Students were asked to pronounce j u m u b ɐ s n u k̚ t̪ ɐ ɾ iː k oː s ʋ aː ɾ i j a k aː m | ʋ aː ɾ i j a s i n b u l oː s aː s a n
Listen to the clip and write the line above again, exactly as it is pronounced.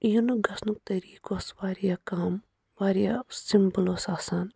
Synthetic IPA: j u n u ɡ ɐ s n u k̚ t̪ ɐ ɾ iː k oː s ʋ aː ɾ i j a k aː m | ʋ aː ɾ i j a s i m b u l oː s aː s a n